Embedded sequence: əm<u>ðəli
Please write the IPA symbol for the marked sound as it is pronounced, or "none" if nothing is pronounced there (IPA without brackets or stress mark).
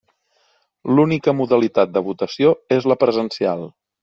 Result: u